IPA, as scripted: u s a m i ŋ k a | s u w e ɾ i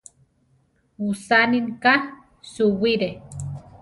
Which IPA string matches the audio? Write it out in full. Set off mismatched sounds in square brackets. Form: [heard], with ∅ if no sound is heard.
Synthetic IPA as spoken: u s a [n] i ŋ k a | s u w [i] ɾ [e]